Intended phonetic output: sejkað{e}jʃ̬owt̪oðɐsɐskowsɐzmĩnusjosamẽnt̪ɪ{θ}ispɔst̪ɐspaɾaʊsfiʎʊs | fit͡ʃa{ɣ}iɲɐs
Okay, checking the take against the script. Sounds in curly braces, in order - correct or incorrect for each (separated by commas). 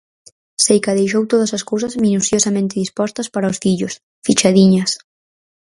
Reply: correct, incorrect, incorrect